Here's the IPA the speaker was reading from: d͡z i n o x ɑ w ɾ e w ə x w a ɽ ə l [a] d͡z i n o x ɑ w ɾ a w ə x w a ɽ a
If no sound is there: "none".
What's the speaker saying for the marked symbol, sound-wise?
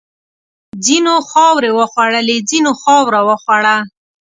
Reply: e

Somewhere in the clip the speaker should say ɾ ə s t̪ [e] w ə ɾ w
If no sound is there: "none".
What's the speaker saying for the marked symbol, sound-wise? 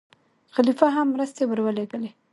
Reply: e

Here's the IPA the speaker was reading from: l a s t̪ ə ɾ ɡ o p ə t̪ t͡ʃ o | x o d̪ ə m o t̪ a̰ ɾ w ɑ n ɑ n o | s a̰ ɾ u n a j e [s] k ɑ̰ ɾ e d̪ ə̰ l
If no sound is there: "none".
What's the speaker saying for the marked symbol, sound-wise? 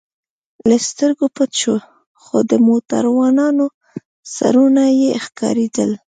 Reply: x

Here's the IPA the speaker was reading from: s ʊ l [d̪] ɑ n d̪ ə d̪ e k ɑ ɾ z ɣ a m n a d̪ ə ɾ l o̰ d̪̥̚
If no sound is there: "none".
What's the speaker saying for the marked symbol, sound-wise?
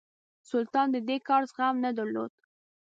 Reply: t̪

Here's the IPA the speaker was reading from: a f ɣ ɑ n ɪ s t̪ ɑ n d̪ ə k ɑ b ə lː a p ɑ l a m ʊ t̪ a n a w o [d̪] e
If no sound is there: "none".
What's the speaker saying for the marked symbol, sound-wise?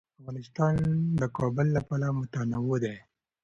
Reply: d̪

